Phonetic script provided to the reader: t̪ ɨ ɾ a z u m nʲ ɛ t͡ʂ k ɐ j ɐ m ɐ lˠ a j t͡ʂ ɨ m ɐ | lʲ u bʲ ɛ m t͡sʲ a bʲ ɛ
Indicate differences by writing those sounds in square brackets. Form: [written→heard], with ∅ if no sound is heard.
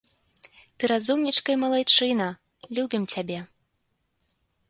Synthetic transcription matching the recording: t̪ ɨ ɾ a z u m nʲ [ɛ→i] t͡ʂ k ɐ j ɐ m ɐ lˠ a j t͡ʂ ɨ [m→n] ɐ | lʲ u bʲ [ɛ→i] m t͡sʲ a bʲ ɛ